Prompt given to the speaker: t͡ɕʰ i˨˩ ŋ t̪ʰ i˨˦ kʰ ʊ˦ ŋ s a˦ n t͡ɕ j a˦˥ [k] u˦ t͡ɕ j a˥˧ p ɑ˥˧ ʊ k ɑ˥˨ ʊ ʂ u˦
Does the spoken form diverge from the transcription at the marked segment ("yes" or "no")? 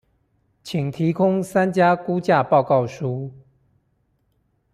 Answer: no